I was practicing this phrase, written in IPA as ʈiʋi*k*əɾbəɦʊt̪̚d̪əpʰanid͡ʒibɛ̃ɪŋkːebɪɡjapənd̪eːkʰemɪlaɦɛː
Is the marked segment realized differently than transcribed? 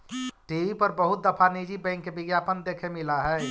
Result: yes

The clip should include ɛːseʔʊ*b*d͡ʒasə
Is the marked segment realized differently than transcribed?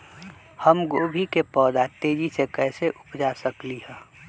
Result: yes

